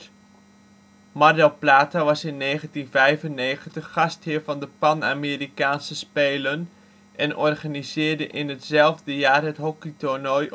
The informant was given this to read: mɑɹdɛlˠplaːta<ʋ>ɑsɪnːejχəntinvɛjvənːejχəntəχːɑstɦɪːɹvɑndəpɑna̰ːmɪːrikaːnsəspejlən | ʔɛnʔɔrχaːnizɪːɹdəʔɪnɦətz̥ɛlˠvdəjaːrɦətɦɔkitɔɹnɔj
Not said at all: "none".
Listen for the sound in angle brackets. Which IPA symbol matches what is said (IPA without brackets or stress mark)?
ʋ